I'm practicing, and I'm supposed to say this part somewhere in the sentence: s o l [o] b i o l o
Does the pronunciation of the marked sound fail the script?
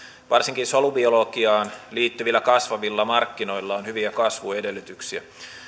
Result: yes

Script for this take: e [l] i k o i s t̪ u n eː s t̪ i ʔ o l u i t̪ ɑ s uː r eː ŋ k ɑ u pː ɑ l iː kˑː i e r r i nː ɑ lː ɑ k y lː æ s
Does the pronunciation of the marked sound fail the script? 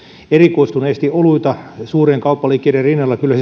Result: yes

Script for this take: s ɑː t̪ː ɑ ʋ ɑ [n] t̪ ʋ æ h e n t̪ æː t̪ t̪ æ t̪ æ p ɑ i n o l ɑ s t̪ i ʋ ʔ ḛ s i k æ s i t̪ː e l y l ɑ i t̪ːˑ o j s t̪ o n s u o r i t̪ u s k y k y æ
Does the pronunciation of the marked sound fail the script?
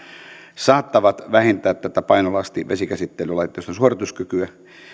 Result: yes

